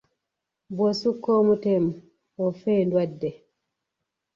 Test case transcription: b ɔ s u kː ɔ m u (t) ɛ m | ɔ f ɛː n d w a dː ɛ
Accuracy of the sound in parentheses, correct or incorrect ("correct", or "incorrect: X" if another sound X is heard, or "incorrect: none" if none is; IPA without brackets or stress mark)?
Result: correct